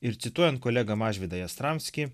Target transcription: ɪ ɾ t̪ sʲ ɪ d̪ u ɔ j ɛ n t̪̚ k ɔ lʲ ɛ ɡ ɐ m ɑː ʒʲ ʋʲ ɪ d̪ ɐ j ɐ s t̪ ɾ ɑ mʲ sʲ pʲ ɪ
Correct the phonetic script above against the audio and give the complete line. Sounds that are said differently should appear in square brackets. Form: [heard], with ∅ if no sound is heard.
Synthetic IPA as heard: ɪ ɾ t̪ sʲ ɪ [t̪] u ɔ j ɛ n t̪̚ k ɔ lʲ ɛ ɡ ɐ m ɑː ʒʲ ʋʲ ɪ d̪ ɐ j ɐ s t̪ ɾ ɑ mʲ sʲ [kʲ] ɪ